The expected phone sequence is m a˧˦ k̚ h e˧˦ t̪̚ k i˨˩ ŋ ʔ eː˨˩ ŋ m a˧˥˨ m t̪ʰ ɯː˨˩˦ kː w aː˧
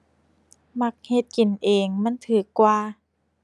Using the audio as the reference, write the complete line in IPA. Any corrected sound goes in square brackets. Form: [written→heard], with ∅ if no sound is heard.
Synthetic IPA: m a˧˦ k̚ h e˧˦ t̪̚ k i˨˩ [ŋ→n] ʔ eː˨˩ ŋ m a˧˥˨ [m→n] t̪ʰ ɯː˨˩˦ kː w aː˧